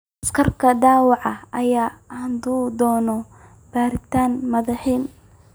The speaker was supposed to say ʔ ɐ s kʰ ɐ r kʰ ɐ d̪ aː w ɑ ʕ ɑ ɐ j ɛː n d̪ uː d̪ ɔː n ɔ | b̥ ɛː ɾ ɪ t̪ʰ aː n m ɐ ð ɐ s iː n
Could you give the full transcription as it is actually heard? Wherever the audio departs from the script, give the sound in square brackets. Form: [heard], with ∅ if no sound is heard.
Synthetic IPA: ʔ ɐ s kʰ ɐ r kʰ ɐ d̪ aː w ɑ ʕ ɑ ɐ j [aː] n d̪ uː d̪ ɔː n ɔ | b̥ [aː] ɾ ɪ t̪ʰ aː n m ɐ ð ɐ [ħ] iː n